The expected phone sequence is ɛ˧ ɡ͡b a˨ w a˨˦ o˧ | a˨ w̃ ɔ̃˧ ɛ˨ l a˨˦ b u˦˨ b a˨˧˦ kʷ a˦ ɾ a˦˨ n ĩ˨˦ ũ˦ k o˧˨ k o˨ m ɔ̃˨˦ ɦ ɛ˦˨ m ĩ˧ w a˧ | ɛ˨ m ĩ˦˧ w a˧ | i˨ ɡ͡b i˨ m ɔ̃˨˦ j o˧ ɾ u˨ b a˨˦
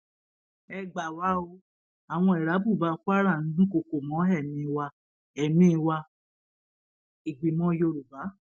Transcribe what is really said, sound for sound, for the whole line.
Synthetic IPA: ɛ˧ ɡ͡b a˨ w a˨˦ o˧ | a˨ w̃ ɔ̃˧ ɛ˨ ɾ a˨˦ b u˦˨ b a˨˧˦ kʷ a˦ ɾ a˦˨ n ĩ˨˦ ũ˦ k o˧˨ k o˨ m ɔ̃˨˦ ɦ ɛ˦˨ m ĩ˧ w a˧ | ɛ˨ m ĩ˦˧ w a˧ | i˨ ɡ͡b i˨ m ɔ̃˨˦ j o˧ ɾ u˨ b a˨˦